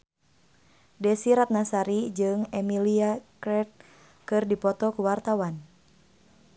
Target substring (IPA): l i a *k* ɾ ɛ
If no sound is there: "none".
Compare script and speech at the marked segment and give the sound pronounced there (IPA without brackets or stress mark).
k